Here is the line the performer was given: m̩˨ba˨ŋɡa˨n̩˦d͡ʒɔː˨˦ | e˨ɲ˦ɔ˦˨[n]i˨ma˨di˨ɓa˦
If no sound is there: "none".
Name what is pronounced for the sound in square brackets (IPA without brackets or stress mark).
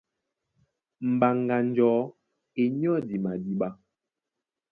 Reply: d